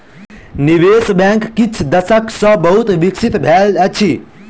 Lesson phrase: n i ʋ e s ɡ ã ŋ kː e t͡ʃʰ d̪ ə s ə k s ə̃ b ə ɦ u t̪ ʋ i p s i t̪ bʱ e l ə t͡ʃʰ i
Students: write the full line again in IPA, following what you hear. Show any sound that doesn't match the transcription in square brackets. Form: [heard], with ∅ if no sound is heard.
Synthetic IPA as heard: n i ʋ e s [b] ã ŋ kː [i] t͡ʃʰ d̪ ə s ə k s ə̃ b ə ɦ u t̪ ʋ i [k] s i t̪ bʱ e l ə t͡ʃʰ i